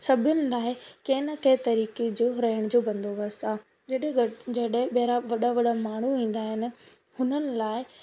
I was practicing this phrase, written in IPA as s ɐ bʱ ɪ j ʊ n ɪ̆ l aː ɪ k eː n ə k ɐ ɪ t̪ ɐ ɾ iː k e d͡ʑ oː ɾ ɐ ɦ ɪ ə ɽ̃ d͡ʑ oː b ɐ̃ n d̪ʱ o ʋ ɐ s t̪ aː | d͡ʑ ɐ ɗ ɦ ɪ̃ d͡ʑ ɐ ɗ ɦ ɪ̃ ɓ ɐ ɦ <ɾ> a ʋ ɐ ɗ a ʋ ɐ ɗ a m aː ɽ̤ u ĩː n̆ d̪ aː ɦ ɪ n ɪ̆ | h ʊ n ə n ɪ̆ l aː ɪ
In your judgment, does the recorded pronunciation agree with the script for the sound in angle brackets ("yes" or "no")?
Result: yes